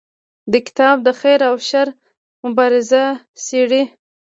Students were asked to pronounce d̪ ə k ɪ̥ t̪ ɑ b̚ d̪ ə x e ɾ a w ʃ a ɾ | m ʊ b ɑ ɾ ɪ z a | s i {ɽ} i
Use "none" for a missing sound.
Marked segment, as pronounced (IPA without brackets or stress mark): ɽ